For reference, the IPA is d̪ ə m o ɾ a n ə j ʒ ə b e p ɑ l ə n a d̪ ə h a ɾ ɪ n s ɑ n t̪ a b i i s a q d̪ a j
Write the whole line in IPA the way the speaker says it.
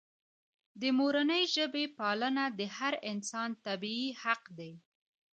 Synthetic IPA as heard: d̪ ə m o ɾ a n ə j ʒ ə b e p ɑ l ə n a d̪ ə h a ɾ ɪ n s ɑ n t̪ a b i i h a q d̪ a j

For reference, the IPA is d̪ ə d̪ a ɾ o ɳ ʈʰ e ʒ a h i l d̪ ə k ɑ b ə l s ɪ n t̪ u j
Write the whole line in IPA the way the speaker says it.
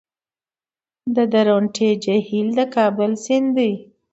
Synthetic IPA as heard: d̪ ə d̪ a ɾ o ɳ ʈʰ e d͡ʒ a h i l d̪ ə k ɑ b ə l s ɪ n d̪ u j

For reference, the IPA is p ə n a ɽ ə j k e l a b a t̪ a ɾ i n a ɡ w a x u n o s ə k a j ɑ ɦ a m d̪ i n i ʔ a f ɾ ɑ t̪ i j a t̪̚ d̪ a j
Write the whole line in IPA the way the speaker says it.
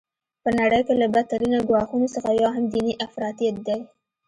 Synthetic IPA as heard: p ə n a ɽ ə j k e l a b a t̪ a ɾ i n a ɡ w ɑ x u n o s ə x a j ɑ ɦ a m d̪ i n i ʔ a f ɾ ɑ t̪ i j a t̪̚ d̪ a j

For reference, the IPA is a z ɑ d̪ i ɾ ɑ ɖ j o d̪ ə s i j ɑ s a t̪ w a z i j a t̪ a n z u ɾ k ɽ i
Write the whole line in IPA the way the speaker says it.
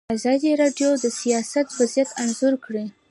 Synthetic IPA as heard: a z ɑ d̪ i ɾ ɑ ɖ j o d̪ ə s i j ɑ s a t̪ w a z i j a t̪ a n z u ɾ k ɽ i

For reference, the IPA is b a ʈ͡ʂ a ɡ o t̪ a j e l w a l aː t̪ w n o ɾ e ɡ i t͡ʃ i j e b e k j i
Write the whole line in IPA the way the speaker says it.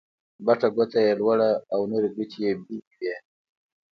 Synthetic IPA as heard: b a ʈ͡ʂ a ɡ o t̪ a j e l w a ɽ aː w n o ɾ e ɡ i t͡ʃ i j e b i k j e

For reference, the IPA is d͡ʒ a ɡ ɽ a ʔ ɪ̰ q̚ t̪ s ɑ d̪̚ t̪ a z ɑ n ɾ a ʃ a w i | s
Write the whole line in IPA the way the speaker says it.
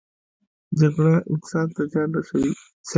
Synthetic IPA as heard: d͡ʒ a ɡ ɽ a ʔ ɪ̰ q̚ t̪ s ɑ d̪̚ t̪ a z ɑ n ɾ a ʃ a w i | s

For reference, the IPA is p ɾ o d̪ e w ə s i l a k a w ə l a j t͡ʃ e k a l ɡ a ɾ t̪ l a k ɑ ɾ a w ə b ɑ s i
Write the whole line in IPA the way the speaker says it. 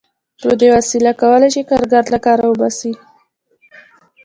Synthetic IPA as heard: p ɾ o d̪ e w a s i l a k a w ə l a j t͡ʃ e k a ɾ ɡ a ɾ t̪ l a k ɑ ɾ a w ə b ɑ s i

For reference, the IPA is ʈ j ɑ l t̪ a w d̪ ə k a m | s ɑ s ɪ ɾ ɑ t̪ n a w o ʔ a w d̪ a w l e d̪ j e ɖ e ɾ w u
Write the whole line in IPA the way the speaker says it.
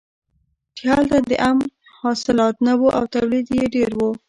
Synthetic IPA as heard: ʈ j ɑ l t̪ a d̪ ə ʔ a m | h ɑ s ɪ l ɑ t̪ n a w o ʔ a w t̪ a w l i d̪ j e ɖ e ɾ w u

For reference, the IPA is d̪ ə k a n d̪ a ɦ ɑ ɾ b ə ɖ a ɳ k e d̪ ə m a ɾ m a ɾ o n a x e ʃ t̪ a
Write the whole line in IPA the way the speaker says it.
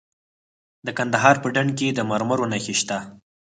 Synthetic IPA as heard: d̪ ə k a n d̪ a ɦ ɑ ɾ p ə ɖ a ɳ k e d̪ ə m a ɾ m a ɾ o n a x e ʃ t̪ a

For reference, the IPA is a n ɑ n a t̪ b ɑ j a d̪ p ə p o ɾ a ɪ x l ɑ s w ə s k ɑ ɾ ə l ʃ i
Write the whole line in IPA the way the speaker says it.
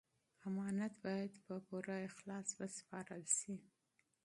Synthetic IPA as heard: a m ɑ n a t̪ b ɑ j a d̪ p ə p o ɾ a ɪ x l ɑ s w ə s p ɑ ɾ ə l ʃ i

